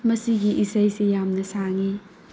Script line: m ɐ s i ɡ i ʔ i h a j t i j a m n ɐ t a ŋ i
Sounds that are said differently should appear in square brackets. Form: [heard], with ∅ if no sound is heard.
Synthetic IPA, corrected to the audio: m ɐ s i ɡ i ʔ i [s] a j [s] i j a m n ɐ [s] a ŋ i